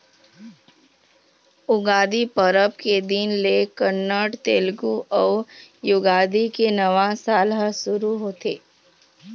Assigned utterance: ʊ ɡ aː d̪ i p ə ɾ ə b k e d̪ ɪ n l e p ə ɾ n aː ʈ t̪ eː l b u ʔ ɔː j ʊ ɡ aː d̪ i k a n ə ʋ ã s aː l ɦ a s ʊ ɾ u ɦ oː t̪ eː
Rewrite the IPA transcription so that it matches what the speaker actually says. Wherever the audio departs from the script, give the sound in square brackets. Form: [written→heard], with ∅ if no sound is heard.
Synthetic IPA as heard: ʊ ɡ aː d̪ i p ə ɾ ə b k e d̪ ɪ n l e [p→k] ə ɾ n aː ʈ t̪ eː l [b→ɡ] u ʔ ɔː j ʊ ɡ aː d̪ i k [a→e] n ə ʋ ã s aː l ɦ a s ʊ ɾ u ɦ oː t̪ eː